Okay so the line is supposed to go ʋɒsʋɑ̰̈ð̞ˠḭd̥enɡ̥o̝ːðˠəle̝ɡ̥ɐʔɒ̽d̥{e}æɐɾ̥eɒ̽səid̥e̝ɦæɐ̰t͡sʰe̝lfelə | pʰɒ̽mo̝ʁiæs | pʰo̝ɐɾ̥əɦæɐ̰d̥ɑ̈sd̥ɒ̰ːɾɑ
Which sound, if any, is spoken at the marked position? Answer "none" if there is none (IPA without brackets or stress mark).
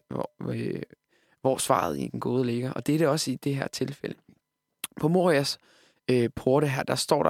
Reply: e